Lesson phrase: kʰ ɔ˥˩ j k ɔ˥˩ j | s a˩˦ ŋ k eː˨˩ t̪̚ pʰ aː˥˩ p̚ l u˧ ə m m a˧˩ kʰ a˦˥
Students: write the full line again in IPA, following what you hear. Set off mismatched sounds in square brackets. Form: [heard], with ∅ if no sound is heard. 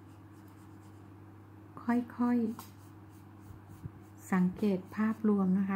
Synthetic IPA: kʰ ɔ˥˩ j [kʰ] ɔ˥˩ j | s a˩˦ ŋ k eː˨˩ t̪̚ pʰ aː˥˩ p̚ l u˧ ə m [n] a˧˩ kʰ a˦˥